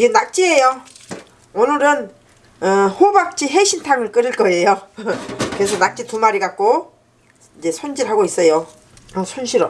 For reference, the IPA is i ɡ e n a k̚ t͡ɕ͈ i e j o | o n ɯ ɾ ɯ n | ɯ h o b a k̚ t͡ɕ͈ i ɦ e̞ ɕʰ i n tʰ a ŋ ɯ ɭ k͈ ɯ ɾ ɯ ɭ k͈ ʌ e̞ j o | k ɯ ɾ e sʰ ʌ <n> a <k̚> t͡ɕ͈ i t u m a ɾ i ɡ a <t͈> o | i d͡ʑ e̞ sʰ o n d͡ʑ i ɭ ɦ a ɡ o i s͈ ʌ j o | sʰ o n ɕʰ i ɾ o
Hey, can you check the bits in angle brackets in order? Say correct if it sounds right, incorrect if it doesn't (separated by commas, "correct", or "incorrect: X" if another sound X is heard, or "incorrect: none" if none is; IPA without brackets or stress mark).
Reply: correct, correct, incorrect: k͈